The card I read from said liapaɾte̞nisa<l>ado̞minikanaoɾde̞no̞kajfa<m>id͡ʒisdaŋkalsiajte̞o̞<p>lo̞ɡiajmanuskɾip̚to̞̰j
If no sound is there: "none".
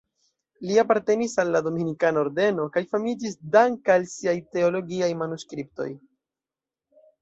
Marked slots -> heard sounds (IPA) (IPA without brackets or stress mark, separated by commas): lː, m, none